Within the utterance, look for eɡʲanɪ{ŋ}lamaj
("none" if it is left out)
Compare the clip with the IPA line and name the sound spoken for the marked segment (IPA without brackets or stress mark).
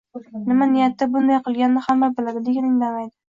ŋ